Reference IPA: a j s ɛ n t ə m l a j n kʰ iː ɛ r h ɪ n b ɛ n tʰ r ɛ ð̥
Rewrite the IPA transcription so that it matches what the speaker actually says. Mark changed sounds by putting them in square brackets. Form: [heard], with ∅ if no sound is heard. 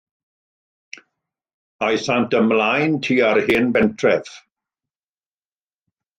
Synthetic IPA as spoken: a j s [a] n t ə m l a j n [tʰ] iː [a] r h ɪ n b ɛ n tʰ r ɛ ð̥